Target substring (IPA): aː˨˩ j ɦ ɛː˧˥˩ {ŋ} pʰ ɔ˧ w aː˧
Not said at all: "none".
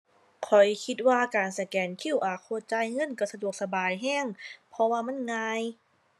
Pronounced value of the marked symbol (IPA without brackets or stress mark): ŋ